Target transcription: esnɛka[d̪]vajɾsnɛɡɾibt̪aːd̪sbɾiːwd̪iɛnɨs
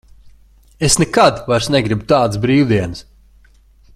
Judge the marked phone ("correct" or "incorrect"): correct